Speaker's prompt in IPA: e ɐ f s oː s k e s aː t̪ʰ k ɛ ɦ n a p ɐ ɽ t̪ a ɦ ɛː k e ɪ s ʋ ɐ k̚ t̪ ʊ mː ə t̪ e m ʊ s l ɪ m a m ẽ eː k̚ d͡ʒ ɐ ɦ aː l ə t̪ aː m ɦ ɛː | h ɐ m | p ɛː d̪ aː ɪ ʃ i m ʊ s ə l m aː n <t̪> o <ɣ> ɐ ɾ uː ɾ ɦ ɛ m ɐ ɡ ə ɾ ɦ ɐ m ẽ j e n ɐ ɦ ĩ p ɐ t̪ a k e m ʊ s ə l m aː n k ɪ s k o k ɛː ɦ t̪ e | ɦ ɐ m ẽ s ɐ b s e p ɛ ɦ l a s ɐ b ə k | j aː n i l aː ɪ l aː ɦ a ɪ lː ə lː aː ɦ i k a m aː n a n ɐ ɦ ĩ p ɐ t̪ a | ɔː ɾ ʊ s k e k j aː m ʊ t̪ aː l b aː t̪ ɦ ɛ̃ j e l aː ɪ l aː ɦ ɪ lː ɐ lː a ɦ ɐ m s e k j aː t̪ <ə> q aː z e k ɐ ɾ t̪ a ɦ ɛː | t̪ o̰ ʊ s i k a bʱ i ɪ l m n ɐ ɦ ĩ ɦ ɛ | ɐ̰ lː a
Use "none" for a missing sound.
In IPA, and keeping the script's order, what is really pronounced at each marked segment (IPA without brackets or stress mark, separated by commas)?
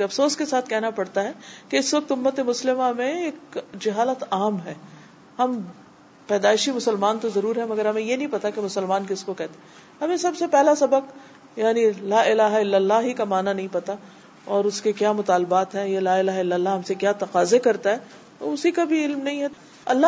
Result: t̪, z, ɐ